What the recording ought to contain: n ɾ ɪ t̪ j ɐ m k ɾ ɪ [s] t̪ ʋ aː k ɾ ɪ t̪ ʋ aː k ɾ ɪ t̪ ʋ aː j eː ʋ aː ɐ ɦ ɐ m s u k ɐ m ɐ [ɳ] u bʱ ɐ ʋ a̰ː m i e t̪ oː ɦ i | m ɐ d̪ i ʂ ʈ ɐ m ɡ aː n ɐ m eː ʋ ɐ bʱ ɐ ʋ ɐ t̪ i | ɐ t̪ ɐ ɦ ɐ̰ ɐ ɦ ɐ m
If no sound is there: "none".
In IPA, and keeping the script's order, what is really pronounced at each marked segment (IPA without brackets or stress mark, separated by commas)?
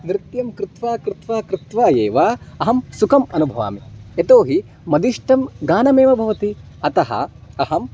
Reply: none, n